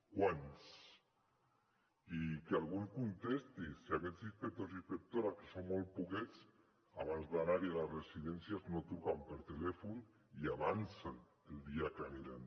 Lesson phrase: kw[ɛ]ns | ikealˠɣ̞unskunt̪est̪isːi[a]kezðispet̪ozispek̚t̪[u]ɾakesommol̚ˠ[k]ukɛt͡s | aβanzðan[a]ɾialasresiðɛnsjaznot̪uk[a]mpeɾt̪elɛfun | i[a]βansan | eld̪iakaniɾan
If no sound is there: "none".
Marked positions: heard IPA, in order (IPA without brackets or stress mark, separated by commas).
a, a, o, p, a, a, a